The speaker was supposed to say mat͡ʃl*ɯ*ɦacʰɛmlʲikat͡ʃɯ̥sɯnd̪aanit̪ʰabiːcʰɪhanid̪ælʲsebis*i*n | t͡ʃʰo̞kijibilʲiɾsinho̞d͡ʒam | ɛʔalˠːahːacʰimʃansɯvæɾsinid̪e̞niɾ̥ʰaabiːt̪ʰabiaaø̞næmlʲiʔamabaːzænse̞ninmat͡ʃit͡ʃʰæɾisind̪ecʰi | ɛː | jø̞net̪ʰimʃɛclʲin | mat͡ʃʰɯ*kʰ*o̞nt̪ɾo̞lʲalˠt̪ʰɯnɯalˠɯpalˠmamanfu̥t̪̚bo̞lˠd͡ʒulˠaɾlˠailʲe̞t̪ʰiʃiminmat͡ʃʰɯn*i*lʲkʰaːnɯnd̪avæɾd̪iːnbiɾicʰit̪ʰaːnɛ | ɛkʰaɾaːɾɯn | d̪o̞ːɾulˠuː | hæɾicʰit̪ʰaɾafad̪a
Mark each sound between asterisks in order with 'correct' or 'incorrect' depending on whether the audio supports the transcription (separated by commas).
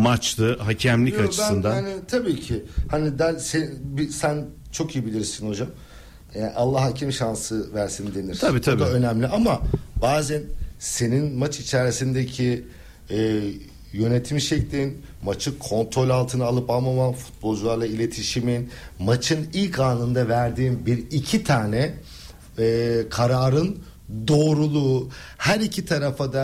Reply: correct, incorrect, correct, correct